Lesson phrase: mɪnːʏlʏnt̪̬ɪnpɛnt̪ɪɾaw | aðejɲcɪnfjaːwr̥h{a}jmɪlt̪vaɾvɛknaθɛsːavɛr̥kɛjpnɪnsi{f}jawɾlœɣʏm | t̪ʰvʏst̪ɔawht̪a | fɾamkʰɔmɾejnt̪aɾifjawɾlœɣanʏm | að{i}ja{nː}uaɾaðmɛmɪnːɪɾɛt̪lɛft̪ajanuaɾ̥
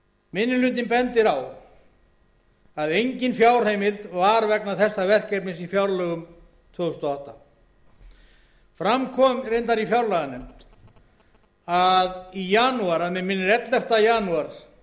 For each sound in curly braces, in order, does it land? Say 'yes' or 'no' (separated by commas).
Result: no, yes, yes, no